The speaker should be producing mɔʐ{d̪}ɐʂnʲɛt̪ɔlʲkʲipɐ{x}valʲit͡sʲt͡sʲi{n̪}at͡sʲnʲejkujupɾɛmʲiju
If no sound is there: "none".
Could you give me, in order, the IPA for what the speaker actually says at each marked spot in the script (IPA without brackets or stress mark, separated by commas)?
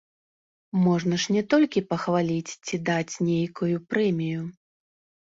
n̪, x, d̪